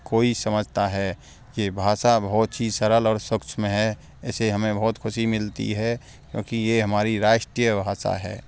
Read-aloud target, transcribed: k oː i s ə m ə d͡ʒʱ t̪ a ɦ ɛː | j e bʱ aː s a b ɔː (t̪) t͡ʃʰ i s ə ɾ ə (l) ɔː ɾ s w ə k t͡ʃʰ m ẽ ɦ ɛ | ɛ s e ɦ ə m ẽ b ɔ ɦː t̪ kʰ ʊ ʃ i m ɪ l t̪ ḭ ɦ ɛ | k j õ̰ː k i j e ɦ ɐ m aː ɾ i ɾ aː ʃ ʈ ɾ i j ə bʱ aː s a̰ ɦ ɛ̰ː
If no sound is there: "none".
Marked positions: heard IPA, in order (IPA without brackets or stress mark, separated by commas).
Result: t̪, l